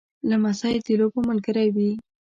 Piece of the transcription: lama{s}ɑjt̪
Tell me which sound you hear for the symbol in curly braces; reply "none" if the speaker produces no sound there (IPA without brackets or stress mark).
s